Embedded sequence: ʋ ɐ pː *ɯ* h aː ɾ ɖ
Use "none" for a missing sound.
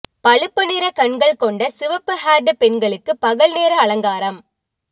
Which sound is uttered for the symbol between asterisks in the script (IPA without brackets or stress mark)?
ɯ